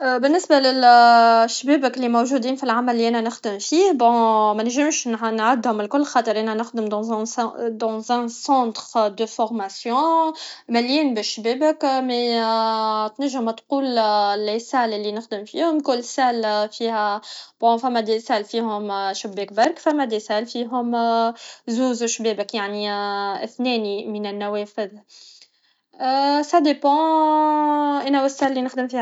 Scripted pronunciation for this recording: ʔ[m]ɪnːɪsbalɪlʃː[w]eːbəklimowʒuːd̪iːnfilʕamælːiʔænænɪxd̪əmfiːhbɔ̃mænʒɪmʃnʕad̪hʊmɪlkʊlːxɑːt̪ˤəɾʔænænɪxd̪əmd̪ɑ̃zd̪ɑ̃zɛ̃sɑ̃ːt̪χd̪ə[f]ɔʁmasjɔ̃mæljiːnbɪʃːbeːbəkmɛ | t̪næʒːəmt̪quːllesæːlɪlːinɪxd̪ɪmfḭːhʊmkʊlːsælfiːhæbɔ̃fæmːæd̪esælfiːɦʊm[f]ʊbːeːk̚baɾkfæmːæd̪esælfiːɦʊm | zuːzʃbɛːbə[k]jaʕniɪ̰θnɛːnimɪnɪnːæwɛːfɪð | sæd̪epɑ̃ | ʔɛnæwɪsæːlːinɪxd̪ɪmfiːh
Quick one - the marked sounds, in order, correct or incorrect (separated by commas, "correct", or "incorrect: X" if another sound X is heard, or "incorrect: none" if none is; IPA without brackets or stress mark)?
incorrect: b, incorrect: b, correct, incorrect: ʃ, correct